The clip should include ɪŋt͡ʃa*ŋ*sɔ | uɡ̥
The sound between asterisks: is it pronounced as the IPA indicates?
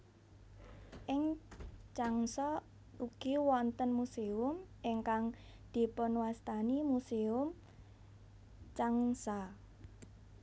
yes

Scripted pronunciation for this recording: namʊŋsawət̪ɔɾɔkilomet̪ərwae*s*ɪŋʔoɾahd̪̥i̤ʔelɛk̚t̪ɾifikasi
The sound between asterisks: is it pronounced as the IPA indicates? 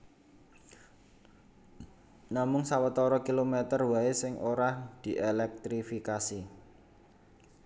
yes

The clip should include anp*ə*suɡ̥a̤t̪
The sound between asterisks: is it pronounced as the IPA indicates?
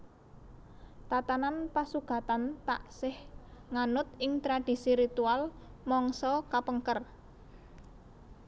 no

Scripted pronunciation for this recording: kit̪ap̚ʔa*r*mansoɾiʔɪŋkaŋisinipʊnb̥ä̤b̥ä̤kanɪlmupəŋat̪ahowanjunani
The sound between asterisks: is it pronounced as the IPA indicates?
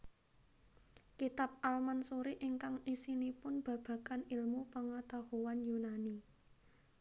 no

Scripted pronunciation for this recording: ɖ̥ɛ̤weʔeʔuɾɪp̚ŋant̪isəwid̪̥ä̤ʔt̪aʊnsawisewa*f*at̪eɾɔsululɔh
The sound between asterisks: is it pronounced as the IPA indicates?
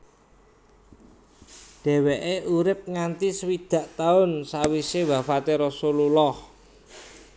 yes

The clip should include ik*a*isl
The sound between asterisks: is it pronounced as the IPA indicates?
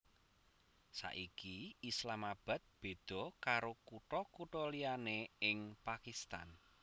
no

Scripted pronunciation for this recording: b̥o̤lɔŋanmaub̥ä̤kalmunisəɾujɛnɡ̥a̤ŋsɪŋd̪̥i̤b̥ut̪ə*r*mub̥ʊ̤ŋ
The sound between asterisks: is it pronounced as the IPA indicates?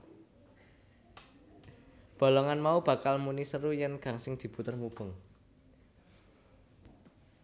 yes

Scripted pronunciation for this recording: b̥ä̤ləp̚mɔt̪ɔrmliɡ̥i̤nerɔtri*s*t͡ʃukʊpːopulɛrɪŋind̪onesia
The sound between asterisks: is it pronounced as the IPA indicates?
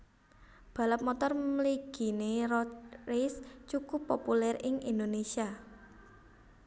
yes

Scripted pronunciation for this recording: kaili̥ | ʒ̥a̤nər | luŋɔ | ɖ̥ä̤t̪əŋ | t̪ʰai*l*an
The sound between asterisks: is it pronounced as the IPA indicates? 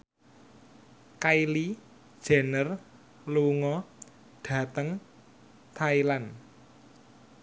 yes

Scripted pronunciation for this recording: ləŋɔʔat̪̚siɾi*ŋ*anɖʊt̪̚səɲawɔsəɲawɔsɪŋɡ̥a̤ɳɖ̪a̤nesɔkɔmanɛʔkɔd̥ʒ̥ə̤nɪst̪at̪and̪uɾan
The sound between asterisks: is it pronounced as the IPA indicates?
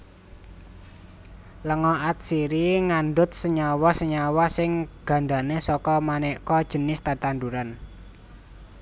yes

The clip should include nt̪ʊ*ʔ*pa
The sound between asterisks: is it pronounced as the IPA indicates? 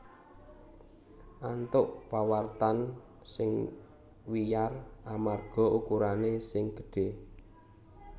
yes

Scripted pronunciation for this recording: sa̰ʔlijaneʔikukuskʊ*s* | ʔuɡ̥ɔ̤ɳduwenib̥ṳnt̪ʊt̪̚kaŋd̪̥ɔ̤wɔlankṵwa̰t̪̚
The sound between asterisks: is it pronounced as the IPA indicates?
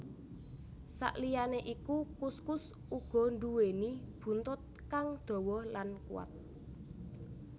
yes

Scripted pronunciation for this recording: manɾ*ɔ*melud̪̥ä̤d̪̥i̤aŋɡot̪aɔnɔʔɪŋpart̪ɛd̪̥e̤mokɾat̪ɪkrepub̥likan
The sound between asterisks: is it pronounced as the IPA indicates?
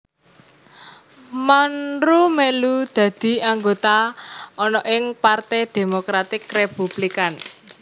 no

